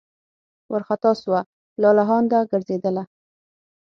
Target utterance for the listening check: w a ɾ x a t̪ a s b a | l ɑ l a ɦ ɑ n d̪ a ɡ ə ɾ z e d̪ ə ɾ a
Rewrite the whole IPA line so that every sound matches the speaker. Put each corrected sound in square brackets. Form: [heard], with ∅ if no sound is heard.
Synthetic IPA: w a ɾ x a t̪ [ɑ] s [w] a | l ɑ l a ɦ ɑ n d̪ a ɡ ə ɾ z e d̪ ə [l] a